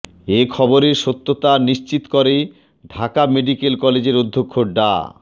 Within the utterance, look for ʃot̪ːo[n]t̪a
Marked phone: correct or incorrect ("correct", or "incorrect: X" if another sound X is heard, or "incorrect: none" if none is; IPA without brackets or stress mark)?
incorrect: none